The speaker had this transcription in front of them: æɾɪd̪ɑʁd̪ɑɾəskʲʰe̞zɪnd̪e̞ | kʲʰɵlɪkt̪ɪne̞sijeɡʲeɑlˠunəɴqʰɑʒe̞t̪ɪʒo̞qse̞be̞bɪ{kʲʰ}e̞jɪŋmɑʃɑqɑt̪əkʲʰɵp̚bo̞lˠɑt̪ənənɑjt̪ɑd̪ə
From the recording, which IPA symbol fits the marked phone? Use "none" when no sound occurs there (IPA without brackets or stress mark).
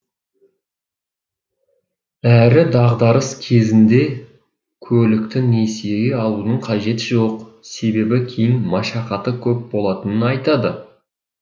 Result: kʲʰ